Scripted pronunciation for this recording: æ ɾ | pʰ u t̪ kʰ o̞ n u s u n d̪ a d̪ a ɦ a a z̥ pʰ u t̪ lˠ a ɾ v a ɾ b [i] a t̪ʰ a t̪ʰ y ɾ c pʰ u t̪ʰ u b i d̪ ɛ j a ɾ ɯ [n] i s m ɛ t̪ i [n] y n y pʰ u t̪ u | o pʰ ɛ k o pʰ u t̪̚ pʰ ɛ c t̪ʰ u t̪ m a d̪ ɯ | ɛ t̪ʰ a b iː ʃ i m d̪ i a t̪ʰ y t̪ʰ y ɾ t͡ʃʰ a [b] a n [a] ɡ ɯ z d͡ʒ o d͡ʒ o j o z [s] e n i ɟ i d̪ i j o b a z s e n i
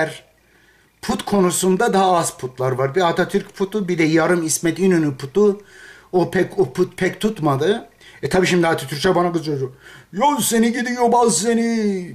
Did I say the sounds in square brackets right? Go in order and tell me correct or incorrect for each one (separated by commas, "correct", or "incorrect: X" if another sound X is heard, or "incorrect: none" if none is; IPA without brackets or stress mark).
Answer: correct, incorrect: m, correct, correct, correct, correct